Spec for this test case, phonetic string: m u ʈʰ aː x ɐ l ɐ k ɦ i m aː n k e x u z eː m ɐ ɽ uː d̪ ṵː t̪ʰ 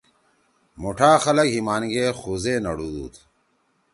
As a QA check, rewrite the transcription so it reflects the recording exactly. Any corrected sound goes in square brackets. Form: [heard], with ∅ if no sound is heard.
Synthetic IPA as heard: m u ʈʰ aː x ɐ l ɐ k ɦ i m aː n [ɡ] e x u z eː [n] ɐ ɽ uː d̪ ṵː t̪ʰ